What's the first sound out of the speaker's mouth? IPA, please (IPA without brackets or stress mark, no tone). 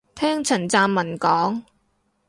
t̪ʰ